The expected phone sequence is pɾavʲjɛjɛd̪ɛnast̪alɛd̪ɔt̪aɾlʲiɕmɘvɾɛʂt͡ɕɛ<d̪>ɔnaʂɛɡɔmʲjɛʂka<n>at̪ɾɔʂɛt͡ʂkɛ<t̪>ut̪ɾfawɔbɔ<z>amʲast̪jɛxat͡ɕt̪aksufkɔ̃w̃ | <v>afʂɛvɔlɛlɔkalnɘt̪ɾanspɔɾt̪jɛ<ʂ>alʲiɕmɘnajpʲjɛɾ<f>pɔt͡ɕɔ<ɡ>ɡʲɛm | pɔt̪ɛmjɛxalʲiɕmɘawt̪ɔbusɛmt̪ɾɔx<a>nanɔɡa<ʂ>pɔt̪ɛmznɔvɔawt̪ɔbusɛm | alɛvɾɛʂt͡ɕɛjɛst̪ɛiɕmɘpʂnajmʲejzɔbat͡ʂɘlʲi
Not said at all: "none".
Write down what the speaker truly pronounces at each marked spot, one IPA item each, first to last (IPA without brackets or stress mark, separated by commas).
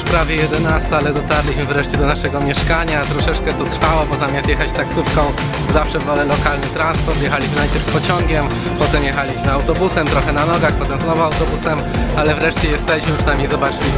d̪, ɲ, t̪, z, z, x, f, ŋ, ɛ, x